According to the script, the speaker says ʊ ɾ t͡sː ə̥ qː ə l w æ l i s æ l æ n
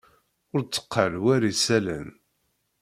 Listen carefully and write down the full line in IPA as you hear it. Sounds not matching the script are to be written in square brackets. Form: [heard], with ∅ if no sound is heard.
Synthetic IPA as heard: ʊ ɾ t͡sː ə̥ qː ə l w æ [ɾ] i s æ l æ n